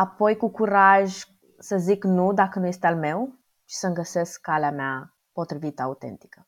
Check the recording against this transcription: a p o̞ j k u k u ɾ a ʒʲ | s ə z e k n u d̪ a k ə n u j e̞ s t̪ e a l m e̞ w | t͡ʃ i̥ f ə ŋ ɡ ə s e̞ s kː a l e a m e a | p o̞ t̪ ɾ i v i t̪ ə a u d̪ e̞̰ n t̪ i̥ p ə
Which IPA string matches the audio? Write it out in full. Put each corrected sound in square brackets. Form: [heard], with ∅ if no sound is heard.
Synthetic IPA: a p o̞ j k u k u ɾ a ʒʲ | s ə z [i] k n u d̪ a k ə n u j e̞ s t̪ e a l m e̞ w | t͡ʃ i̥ [s] ə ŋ ɡ ə s e̞ s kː a l e a m e a | p o̞ t̪ ɾ i v i t̪ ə a u [t̪] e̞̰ n t̪ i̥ [k] ə